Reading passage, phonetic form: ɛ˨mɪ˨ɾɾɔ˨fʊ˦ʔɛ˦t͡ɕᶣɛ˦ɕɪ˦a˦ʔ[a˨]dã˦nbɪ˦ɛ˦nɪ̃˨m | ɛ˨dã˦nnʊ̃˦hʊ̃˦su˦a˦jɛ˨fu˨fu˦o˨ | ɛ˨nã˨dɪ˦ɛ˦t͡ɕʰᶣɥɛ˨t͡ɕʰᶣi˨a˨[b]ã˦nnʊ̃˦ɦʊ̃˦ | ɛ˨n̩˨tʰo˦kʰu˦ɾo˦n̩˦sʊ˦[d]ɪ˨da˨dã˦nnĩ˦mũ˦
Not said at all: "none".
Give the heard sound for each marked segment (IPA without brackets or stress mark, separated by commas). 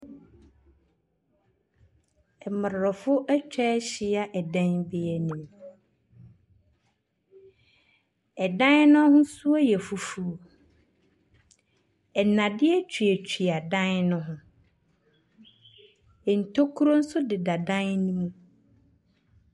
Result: ɛ˨, d, d